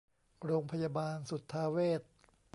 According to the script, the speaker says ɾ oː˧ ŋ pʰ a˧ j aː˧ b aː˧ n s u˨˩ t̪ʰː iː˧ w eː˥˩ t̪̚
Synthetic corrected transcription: ɾ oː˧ ŋ pʰ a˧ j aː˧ b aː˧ n s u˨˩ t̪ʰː aː˧ w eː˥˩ t̪̚